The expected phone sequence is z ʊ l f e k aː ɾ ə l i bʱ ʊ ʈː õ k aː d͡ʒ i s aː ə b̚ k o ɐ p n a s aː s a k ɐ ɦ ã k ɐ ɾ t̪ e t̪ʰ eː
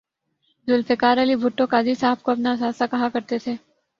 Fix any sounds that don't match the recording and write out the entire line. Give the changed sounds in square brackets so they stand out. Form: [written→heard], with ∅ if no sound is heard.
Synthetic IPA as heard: z ʊ l f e k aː ɾ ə l i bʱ ʊ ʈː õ k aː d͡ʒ i s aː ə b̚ k o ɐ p n a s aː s a k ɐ ɦ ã k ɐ ɾ t̪ e t̪ʰ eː